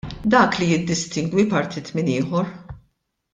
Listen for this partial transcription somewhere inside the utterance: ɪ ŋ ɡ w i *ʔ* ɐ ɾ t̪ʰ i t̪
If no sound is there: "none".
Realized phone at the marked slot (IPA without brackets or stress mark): p